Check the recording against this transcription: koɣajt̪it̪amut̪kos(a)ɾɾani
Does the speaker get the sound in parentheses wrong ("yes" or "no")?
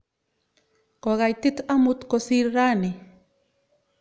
yes